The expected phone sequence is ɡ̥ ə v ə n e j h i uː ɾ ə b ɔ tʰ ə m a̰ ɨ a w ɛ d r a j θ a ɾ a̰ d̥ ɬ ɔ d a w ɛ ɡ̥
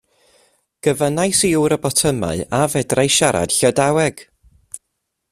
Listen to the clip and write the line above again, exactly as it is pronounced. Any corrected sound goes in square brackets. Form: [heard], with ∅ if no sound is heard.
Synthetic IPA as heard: ɡ̥ ə v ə n [a] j [s] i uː ɾ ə b ɔ tʰ ə m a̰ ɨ a [v] ɛ d r a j [ʃ] a ɾ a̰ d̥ ɬ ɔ d a w ɛ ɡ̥

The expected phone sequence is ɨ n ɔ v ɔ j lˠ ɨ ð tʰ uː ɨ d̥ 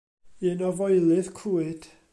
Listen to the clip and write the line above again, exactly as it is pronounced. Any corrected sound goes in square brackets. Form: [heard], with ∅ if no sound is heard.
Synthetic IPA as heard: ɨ n ɔ v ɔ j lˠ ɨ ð [kʰ] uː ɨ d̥

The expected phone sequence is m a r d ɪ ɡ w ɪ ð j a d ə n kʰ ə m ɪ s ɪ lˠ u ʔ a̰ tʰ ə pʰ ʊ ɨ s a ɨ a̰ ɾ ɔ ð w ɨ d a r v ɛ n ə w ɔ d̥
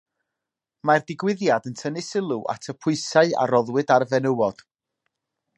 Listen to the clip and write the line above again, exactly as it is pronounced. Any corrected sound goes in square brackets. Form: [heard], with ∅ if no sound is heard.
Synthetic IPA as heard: m a r d ɪ ɡ w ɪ ð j a d ə n [tʰ] ə [n] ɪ s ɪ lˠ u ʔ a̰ tʰ ə pʰ ʊ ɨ s a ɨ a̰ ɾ ɔ ð w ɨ d a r v ɛ n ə w ɔ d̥

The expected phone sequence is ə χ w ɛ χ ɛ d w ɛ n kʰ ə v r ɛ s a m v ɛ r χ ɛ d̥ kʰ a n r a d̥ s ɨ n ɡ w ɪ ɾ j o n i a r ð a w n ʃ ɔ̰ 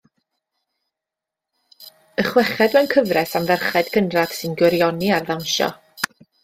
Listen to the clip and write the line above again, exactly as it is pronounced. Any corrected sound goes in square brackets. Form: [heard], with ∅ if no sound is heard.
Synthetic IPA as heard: ə χ w ɛ χ ɛ d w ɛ n kʰ ə v r ɛ s a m v ɛ r χ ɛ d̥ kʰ [ə] n r a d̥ s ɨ n ɡ w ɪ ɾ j [ɔ] n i a r ð a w n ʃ ɔ̰

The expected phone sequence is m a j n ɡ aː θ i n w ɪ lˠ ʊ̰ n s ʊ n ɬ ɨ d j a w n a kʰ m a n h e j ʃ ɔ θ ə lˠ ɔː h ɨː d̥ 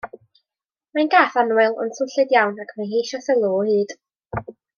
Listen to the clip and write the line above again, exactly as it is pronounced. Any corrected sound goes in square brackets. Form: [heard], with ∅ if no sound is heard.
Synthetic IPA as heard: m a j n ɡ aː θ [a] n w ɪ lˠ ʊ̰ n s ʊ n ɬ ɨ d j a w n a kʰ m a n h e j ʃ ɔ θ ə lˠ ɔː h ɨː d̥

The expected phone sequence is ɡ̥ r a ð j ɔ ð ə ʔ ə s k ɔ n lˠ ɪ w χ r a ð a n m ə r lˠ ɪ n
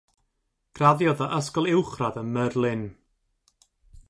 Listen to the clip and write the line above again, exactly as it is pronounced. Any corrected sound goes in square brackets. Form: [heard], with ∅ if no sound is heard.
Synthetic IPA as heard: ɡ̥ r a ð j ɔ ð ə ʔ ə s k ɔ [∅] lˠ ɪ w χ r a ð [ə] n m ə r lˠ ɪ n

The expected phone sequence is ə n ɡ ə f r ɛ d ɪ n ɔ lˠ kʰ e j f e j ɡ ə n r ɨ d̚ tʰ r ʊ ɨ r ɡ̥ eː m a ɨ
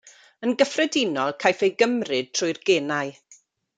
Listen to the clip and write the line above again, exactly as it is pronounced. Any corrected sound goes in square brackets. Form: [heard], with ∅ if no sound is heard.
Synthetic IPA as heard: ə n ɡ ə f r ɛ d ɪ n ɔ lˠ kʰ [a] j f e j ɡ ə [m] r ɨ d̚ tʰ r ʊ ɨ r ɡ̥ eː [n] a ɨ

